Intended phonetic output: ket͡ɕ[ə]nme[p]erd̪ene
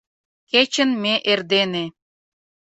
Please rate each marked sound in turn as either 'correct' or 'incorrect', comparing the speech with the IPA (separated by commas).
correct, incorrect